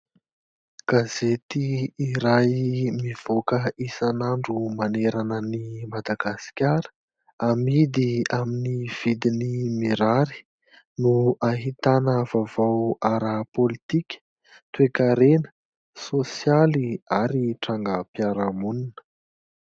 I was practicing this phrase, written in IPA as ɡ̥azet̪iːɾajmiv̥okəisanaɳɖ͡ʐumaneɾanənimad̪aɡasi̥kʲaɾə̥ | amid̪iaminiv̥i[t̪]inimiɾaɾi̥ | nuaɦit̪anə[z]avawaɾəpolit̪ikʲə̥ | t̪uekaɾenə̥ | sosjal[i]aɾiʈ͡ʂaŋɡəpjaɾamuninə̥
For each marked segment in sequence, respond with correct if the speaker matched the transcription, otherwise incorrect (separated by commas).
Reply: incorrect, incorrect, correct